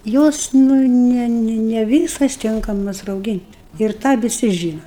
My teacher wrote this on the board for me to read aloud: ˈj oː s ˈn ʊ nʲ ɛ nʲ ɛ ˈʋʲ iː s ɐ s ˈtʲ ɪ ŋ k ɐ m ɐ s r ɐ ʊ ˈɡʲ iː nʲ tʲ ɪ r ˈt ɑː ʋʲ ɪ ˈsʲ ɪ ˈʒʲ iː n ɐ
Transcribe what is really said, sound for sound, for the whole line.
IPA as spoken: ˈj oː s ˈn ʊ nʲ ɛ nʲ ɛ ˈʋʲ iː s ɐ s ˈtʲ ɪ ŋ k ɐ m ɐ s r ɐ ʊ ˈɡʲ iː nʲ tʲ ɪ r ˈt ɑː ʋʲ ɪ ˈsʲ ɪ ˈʒʲ iː n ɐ